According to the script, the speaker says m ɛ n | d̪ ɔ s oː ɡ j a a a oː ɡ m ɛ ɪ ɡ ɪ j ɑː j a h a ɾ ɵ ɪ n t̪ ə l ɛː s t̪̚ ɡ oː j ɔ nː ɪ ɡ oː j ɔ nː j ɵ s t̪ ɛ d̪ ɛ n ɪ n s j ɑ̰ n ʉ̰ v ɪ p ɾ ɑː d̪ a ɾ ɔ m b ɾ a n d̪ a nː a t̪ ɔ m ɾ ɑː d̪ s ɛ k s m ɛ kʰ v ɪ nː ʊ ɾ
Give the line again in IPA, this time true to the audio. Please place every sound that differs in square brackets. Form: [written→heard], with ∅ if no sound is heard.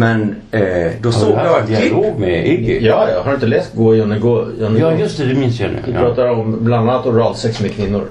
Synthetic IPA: m ɛ n | d̪ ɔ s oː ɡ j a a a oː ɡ m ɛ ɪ ɡ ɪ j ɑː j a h a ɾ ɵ ɪ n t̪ ə l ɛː s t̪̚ ɡ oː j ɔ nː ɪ ɡ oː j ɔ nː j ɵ s t̪ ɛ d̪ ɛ [n→m] ɪ n s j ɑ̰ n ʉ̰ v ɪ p ɾ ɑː [d̪→t̪] a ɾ ɔ m b [ɾ→l] a n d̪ a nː a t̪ ɔ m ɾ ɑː d̪ s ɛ k s m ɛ kʰ v ɪ nː ʊ ɾ